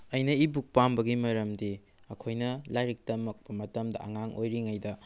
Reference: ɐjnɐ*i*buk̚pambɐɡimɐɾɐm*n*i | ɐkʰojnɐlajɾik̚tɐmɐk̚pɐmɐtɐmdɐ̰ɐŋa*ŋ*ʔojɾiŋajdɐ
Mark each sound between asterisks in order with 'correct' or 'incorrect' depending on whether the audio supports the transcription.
correct, incorrect: d, correct

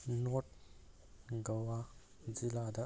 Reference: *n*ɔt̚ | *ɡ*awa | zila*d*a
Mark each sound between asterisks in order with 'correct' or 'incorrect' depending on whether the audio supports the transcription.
correct, correct, correct

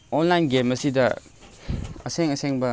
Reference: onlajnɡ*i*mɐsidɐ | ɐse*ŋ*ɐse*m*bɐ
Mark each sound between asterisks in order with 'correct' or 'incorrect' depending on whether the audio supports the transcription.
incorrect: e, correct, incorrect: ŋ

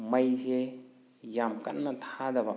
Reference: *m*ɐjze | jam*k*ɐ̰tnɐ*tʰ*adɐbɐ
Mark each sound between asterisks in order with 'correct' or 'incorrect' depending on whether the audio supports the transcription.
correct, correct, correct

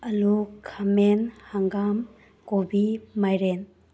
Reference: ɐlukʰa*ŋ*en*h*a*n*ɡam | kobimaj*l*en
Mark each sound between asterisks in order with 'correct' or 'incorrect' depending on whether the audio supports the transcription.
incorrect: m, correct, incorrect: ŋ, incorrect: ɾ

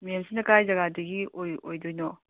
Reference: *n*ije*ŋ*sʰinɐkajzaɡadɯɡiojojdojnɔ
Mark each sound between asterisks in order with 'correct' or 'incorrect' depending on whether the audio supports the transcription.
incorrect: m, incorrect: m

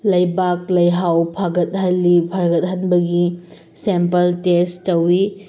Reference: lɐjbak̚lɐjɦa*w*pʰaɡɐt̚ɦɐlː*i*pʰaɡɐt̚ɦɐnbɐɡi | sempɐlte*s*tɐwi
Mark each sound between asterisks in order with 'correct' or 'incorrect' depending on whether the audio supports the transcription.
correct, correct, correct

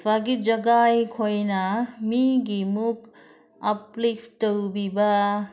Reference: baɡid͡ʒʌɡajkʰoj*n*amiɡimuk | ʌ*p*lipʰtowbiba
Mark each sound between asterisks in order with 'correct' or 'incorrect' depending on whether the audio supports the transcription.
correct, correct

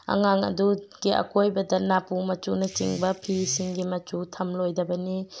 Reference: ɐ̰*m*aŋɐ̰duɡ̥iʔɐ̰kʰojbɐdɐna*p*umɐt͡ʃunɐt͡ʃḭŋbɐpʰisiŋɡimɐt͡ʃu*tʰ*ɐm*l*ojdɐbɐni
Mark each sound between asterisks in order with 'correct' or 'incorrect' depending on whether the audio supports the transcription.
incorrect: ŋ, correct, correct, correct

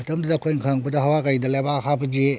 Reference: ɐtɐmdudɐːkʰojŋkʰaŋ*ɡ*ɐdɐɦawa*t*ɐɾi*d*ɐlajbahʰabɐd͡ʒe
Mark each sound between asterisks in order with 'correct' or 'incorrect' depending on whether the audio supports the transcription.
incorrect: b, incorrect: k, correct

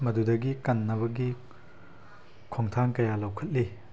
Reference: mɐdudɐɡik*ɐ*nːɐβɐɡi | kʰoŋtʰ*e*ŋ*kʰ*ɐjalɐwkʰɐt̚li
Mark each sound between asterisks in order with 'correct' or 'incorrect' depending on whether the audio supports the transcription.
correct, incorrect: a, incorrect: k

